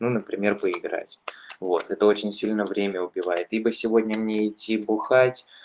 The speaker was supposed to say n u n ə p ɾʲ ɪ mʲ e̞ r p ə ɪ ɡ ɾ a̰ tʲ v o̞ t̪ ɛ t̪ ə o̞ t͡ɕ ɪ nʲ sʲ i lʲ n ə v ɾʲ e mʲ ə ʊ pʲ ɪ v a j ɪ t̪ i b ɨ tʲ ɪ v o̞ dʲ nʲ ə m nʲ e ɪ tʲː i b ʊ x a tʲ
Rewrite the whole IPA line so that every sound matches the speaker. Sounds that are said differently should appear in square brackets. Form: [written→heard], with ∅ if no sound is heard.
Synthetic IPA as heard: n u n ə p ɾʲ ɪ mʲ e̞ r p ə ɪ ɡ ɾ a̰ tʲ v o̞ t̪ ɛ t̪ ə o̞ t͡ɕ ɪ nʲ sʲ i lʲ n ə v ɾʲ e mʲ ə ʊ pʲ ɪ v a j ɪ t̪ i b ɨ [tʲ→sʲ] ɪ v o̞ dʲ nʲ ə m nʲ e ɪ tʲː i b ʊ x a tʲ